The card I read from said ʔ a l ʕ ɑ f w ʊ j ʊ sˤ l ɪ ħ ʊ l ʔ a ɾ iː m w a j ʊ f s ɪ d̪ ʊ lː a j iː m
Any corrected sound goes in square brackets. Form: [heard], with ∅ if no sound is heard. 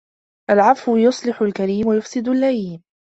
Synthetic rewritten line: ʔ a l ʕ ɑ f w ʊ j ʊ sˤ l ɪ ħ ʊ l [k] a ɾ iː m w a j ʊ f s ɪ d̪ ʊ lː a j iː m